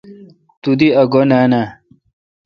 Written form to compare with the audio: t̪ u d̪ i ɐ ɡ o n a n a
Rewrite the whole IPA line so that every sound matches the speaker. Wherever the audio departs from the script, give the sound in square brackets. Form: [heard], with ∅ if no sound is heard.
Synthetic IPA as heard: t̪ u d̪ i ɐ ɡ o n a n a